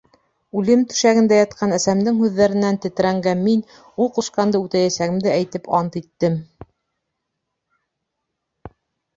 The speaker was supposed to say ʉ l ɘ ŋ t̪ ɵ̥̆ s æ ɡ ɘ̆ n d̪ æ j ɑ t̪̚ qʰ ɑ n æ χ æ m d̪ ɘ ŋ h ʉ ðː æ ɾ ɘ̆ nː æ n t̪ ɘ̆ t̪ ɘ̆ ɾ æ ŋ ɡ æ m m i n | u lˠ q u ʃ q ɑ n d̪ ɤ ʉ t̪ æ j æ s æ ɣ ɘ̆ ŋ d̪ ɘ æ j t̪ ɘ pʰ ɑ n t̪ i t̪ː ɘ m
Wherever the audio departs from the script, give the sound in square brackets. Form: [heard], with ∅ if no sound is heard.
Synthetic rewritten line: ʉ l ɘ [m] t̪ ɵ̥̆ [ʃ] æ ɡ ɘ̆ n d̪ æ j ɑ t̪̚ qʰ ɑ n æ [s] æ m d̪ ɘ ŋ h ʉ ðː æ ɾ ɘ̆ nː æ n t̪ ɘ̆ t̪ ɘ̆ ɾ æ ŋ ɡ æ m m i n | u lˠ q u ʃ q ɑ n d̪ ɤ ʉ t̪ æ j æ s æ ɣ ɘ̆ [m] d̪ ɘ æ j t̪ ɘ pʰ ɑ n t̪ i t̪ː ɘ m